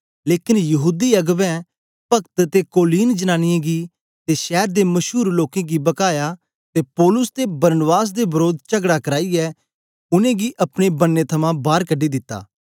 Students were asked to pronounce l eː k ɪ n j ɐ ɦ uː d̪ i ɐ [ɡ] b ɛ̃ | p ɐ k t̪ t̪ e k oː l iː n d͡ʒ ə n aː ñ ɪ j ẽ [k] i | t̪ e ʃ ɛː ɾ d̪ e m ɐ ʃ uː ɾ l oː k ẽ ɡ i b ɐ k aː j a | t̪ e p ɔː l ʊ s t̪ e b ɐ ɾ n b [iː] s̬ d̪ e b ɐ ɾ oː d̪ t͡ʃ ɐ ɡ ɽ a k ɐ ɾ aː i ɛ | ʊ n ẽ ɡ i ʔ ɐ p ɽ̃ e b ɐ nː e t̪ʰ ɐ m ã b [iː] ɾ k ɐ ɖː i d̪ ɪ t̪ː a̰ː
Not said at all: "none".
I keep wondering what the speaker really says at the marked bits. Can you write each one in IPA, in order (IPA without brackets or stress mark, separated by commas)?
ɡ, ɡ, aː, aː